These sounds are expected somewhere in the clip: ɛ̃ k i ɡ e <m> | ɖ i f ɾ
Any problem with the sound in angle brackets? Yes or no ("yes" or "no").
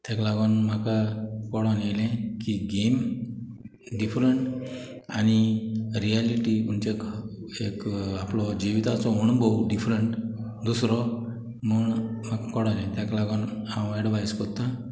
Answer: no